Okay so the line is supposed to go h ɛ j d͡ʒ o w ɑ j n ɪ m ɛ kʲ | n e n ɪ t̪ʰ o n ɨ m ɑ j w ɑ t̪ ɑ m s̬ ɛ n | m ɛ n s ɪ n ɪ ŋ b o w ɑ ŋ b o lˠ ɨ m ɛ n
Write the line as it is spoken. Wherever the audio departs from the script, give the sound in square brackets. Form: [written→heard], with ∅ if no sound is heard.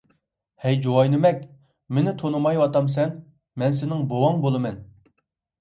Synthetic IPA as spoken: h ɛ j d͡ʒ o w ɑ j n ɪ m ɛ kʲ | [n→m] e n ɪ t̪ʰ o n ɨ m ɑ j w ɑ t̪ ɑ m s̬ ɛ n | m ɛ n s ɪ n ɪ ŋ b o w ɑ ŋ b o lˠ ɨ m ɛ n